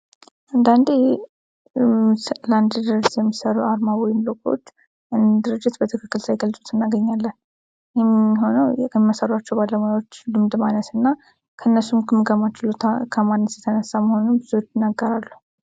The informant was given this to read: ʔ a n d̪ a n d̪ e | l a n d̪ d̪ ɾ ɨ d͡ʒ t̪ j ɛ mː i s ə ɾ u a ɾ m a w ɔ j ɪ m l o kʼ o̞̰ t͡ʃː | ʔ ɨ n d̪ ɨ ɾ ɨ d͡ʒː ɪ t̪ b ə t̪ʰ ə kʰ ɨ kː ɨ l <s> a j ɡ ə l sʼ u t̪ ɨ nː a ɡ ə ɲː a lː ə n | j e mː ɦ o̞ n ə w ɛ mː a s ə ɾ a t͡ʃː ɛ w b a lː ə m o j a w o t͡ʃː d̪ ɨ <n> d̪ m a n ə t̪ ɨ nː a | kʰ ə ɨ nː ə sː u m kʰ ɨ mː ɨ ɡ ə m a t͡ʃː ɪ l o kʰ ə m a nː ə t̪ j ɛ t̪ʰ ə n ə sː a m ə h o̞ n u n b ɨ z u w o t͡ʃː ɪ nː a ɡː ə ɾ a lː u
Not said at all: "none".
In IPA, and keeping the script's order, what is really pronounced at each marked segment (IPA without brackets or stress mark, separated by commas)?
s, m